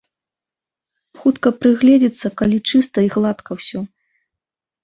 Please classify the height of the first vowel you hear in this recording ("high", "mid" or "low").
high